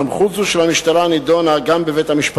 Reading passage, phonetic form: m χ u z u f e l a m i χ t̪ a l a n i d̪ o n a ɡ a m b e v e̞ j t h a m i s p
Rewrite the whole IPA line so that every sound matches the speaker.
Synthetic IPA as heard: m χ u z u ʃ e l a m i ʃ t̪ a l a n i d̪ o n a ɡ a m b e v e̞ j t h a m i ʃ p